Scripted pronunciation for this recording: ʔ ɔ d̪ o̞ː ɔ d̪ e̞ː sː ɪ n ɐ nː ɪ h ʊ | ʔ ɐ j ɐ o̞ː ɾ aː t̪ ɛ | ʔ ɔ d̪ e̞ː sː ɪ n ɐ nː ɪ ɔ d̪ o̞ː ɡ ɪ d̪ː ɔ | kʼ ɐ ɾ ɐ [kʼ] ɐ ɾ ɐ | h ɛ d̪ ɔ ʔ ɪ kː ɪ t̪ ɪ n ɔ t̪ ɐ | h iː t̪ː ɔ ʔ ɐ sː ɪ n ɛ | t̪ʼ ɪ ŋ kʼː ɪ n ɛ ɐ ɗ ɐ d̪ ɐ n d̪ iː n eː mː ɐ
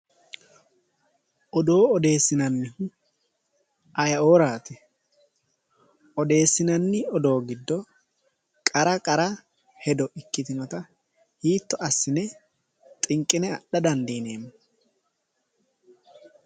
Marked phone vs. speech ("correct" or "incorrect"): correct